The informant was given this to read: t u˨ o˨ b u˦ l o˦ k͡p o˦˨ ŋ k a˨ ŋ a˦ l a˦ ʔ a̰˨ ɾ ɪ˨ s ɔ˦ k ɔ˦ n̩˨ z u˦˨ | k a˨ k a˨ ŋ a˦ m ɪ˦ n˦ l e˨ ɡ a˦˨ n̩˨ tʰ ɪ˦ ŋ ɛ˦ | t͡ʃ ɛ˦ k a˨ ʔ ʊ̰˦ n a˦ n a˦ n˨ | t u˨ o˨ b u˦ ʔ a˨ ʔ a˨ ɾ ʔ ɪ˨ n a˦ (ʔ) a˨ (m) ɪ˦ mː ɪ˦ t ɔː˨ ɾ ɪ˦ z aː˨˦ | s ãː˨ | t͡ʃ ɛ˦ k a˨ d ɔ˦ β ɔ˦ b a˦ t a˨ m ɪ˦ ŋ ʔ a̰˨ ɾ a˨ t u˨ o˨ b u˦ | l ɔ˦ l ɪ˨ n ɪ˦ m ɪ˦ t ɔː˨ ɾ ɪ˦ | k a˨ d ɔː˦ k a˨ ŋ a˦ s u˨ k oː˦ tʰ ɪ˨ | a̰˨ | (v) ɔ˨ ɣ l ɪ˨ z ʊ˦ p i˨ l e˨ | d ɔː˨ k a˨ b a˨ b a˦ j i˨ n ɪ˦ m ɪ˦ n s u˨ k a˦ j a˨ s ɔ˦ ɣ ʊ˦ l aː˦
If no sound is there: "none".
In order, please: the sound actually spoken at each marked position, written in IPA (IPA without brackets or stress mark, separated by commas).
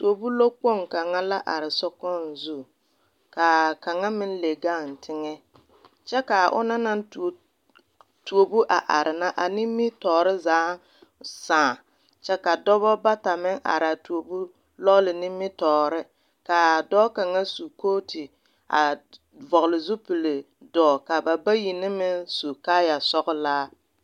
ʔ, n, v